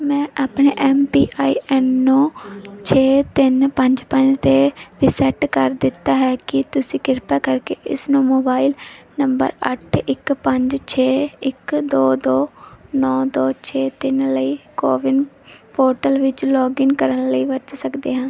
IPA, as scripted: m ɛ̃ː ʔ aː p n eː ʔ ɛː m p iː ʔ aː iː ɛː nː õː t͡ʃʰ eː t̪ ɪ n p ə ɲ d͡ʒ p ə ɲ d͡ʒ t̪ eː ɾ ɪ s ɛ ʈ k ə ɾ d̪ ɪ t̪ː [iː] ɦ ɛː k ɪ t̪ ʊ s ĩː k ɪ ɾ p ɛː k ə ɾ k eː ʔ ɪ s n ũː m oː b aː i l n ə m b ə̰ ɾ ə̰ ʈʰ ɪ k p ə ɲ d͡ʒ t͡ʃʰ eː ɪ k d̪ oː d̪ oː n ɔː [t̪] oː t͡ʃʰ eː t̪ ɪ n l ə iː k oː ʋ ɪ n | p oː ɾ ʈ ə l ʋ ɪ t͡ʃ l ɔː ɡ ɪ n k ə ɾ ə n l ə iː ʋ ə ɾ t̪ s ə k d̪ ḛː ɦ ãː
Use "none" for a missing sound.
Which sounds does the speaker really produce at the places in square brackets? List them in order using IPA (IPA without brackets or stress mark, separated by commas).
aː, d̪